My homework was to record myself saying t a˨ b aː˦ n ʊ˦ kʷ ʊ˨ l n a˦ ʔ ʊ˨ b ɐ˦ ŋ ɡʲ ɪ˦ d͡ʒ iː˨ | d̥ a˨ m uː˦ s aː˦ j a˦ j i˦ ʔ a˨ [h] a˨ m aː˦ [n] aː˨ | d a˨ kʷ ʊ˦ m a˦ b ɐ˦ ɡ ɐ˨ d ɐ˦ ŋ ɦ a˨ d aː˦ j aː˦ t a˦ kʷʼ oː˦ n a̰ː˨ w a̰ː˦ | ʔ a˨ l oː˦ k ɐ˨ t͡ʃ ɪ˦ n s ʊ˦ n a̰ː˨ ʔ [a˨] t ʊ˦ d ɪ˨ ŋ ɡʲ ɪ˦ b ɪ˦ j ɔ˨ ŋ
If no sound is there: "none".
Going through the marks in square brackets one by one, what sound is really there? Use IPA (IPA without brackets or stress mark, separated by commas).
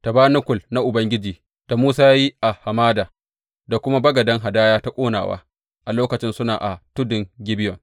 h, d, a˨